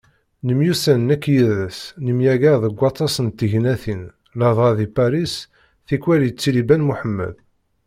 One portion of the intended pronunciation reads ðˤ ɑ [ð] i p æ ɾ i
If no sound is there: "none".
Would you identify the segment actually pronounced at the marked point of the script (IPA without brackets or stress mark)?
ð